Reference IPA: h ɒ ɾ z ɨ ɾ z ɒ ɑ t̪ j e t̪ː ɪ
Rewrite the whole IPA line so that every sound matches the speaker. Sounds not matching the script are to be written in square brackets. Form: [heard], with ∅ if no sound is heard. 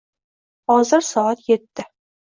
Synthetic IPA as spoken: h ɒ [∅] z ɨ ɾ [s] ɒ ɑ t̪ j e t̪ː ɪ